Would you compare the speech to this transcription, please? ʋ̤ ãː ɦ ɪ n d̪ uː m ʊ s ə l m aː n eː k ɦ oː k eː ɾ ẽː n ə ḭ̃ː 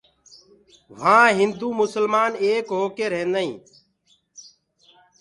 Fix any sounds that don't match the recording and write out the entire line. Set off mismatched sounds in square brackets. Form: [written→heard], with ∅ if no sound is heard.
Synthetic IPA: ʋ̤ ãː ɦ ɪ n d̪ uː m ʊ s ə l m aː n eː k ɦ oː k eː ɾ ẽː n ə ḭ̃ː